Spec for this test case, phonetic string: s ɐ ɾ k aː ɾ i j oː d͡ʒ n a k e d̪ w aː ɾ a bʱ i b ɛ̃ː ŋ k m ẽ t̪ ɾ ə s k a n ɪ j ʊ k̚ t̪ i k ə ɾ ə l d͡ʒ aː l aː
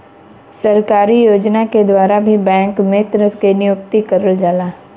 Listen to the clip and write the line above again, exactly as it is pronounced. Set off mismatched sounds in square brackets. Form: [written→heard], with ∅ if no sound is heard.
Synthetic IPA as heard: s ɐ ɾ k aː ɾ i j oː d͡ʒ n a k e d̪ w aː ɾ a bʱ i b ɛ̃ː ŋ k m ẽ t̪ ɾ ə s k [a→e] n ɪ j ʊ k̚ t̪ i k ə ɾ ə l d͡ʒ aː l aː